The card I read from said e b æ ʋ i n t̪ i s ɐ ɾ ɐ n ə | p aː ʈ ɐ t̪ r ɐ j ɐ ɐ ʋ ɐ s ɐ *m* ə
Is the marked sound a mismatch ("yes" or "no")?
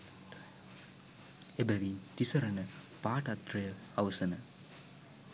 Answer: yes